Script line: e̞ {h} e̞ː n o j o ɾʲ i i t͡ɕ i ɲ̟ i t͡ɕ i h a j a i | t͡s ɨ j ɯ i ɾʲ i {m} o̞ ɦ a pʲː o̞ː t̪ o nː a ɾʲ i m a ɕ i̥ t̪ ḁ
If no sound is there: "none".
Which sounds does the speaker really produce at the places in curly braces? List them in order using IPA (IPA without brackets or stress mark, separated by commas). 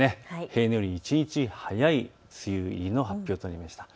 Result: h, n